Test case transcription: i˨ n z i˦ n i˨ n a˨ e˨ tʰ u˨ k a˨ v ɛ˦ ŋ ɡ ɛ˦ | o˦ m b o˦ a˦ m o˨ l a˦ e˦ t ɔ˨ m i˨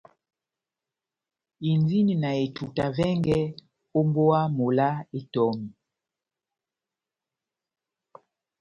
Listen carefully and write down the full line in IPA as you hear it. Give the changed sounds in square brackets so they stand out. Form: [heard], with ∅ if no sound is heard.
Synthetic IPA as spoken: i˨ n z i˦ n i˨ n a˨ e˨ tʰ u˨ [t] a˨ v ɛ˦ ŋ ɡ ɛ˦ | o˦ m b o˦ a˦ m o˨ l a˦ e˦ t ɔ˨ m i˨

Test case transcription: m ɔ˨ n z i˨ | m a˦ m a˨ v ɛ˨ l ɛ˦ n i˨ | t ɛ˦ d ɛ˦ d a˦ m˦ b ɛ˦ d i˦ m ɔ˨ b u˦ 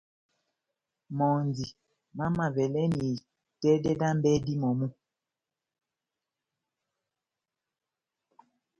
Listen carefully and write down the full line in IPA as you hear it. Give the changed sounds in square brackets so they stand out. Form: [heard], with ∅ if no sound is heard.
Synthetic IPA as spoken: m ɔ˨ n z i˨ | m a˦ m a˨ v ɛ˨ l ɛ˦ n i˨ | t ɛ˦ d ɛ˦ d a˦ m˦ b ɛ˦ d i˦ m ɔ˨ [m] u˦

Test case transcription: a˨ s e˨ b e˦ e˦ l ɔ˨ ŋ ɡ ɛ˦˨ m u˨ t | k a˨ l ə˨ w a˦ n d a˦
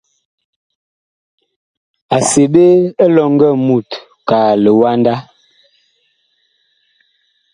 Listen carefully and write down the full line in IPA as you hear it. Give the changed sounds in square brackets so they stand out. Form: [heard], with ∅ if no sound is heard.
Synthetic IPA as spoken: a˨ s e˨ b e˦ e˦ l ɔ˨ ŋ ɡ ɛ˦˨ m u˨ t | k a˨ l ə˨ w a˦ n d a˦

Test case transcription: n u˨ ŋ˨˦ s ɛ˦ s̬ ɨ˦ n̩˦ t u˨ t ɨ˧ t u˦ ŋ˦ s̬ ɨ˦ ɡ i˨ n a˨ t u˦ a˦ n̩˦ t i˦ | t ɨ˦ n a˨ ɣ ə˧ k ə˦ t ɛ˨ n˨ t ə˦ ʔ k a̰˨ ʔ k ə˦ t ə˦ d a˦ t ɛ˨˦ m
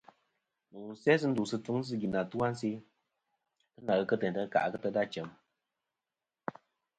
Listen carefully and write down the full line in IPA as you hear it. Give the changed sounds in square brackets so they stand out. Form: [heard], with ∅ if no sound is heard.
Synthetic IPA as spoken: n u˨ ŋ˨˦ s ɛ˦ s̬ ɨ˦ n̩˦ [d] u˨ [s] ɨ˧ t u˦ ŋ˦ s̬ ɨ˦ ɡ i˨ n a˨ t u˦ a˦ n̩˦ [s] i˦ | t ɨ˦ n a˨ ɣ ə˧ k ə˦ t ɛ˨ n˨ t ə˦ [∅] k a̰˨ ʔ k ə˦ t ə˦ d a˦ [t͡ʃ] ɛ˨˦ m

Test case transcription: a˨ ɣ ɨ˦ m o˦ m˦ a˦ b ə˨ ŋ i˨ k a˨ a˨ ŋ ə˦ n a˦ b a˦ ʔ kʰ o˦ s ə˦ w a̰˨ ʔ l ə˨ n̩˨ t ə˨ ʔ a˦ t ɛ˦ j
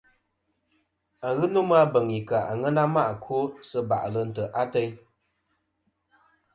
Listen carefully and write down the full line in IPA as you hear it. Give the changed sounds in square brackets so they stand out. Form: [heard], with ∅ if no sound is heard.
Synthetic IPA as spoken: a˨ ɣ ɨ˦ [n] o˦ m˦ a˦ b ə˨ ŋ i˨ k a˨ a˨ ŋ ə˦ n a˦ [m] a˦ ʔ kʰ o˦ s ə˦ [b] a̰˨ ʔ l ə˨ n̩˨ t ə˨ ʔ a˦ t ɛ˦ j

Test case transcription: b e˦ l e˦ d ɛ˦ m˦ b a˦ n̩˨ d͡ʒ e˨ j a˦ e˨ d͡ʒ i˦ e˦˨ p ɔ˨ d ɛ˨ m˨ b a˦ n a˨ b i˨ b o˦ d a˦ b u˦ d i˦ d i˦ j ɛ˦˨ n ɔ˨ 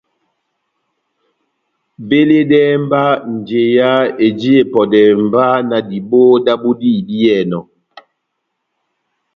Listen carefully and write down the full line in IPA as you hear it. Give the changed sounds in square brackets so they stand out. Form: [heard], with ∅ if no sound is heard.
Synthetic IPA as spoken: b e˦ l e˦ d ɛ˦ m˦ b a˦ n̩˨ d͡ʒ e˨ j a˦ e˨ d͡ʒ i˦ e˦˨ p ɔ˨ d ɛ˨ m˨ b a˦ n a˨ [d] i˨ b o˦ d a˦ b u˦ d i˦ d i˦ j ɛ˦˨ n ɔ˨

